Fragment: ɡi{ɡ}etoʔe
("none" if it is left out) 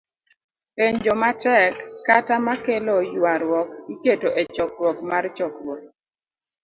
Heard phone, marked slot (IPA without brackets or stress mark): k